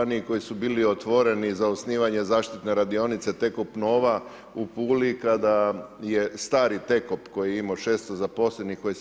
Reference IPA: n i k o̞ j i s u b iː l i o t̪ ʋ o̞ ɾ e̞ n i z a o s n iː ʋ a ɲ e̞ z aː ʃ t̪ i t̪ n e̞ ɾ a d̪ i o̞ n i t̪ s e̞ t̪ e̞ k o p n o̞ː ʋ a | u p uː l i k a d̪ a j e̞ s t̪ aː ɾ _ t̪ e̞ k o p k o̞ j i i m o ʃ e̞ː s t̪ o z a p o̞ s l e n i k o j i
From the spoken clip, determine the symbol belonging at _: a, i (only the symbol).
i